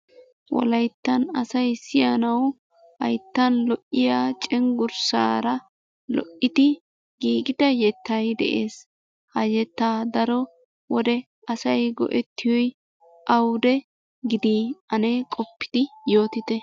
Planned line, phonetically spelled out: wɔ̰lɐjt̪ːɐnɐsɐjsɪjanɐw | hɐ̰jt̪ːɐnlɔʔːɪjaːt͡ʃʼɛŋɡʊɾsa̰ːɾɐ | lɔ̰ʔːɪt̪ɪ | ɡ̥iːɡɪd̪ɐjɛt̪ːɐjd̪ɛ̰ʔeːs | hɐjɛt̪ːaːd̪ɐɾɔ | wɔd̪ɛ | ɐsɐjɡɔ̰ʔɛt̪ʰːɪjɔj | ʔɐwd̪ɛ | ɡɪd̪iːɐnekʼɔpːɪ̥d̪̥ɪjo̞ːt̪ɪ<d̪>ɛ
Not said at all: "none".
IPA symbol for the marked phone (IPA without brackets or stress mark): t̪